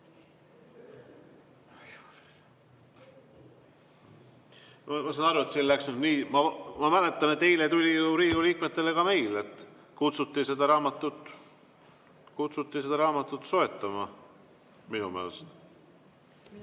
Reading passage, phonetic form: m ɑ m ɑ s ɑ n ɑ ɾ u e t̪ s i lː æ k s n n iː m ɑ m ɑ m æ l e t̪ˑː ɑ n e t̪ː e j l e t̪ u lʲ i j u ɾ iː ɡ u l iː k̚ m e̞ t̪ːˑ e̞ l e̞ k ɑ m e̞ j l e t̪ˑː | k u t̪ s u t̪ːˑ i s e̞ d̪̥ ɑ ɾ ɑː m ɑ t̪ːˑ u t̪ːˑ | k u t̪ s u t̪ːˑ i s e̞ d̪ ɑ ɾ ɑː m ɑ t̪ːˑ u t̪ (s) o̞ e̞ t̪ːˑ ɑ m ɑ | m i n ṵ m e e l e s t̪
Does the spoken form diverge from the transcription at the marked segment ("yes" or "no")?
no